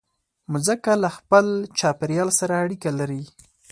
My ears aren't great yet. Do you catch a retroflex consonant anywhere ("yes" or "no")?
yes